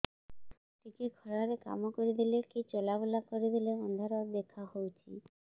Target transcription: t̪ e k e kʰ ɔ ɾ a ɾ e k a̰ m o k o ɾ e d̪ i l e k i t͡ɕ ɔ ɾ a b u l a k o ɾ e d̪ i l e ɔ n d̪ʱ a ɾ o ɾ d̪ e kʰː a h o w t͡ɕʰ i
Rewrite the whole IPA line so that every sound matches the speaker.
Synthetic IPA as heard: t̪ i k e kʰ ɔ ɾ a ɾ e k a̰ m o k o ɾ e d̪ i l e k i t͡ɕ ɔ l a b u l a k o ɾ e d̪ i l e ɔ n d̪ʱ a ɾ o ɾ d̪ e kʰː a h o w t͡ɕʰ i